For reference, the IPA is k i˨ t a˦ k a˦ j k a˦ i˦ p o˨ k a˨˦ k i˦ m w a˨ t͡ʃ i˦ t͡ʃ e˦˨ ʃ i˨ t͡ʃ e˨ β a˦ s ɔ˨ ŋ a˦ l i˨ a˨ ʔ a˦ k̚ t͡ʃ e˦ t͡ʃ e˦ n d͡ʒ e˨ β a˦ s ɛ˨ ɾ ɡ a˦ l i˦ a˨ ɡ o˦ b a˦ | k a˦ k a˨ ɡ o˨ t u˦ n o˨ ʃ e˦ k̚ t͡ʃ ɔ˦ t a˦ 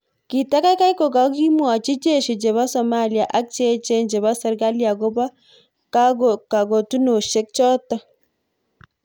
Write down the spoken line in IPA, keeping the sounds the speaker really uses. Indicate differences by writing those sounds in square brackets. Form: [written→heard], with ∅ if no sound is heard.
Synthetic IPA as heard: k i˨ t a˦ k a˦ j k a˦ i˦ [p→k] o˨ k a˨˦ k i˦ m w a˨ t͡ʃ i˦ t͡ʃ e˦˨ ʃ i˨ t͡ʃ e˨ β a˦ s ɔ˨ [ŋ→m] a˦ l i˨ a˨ ʔ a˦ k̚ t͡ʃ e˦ t͡ʃ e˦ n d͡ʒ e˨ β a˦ s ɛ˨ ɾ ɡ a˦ l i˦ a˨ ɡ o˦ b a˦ | k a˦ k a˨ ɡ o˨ t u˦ n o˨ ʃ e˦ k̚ t͡ʃ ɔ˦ t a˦